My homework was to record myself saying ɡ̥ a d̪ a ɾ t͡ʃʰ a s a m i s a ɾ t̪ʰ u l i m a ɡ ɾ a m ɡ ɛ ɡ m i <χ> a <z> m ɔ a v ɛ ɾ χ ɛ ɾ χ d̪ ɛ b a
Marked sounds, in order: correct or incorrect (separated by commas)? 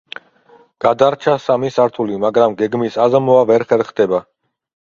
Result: incorrect, correct